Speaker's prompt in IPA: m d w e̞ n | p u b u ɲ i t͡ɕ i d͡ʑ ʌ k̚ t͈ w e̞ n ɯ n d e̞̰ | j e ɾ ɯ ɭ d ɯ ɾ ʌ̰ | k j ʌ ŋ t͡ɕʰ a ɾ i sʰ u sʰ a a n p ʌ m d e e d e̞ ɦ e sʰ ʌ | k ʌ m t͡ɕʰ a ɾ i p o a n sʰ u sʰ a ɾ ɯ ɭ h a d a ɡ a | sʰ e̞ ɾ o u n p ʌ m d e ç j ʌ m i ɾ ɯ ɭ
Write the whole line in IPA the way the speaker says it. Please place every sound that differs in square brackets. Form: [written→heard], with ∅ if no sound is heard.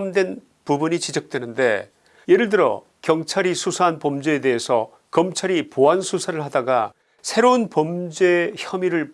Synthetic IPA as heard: m d w e̞ n | p u b u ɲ i t͡ɕ i d͡ʑ ʌ k̚ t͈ w e̞ n ɯ n d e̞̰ | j e ɾ ɯ ɭ d ɯ ɾ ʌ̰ | k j ʌ ŋ t͡ɕʰ a ɾ i sʰ u sʰ a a n p ʌ m [d→d͡ʑ] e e d e̞ ɦ e sʰ ʌ | k ʌ m t͡ɕʰ a ɾ i p o a n sʰ u sʰ a ɾ ɯ ɭ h a d a ɡ a | sʰ e̞ ɾ o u n p ʌ m [d→d͡ʑ] e ç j ʌ m i ɾ ɯ ɭ

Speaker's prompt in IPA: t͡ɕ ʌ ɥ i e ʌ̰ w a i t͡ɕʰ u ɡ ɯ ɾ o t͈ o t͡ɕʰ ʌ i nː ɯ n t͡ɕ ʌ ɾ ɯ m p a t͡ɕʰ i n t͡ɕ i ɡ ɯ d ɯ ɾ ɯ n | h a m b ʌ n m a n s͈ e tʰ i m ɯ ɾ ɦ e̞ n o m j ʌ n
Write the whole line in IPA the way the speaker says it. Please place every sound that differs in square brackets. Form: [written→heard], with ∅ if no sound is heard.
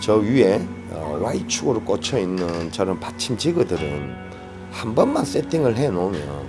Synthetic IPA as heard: t͡ɕ ʌ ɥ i e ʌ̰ w a i t͡ɕʰ u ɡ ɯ ɾ o [t͈→k͈] o t͡ɕʰ ʌ i nː ɯ n t͡ɕ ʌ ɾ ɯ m p a t͡ɕʰ i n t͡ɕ i ɡ ɯ d ɯ ɾ ɯ n | h a m b ʌ n m a n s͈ e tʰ i [m→ŋ] ɯ [ɾ→ɭ] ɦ e̞ n o m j ʌ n

